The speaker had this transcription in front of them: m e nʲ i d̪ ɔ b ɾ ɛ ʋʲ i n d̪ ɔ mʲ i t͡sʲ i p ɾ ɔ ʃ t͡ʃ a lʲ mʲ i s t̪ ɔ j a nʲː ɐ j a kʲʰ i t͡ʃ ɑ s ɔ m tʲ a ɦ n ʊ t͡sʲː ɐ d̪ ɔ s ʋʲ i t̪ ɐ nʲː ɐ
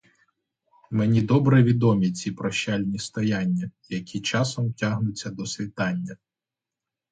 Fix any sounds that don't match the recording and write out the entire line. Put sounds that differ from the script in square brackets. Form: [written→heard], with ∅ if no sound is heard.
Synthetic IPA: m e nʲ i d̪ ɔ b ɾ ɛ ʋʲ i [n→∅] d̪ ɔ mʲ i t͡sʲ i p ɾ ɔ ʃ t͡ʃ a lʲ [mʲ→nʲ] i s t̪ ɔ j a nʲː ɐ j [a→ɐ] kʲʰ i t͡ʃ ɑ s ɔ m tʲ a ɦ n ʊ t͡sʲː ɐ d̪ ɔ s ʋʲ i t̪ [ɐ→ɑ] nʲː ɐ